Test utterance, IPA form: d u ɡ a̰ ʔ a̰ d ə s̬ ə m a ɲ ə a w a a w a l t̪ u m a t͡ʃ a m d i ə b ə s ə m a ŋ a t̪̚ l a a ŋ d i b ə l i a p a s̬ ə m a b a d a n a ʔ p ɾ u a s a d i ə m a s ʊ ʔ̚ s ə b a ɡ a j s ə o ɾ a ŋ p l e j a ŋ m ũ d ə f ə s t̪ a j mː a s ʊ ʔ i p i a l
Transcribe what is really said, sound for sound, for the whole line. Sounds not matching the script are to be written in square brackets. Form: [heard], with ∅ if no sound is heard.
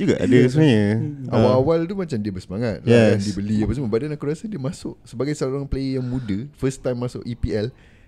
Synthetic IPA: [d͡ʒ] u ɡ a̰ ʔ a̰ d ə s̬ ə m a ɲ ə a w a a w a l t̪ u m a t͡ʃ a m d i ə b ə s ə m a ŋ a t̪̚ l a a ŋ d i b ə l i a p a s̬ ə m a b a d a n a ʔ [k] ɾ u a s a d i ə m a s ʊ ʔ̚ s ə b a ɡ a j s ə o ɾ a ŋ p l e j a ŋ m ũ d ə f ə s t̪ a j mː a s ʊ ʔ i p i [ɛ] l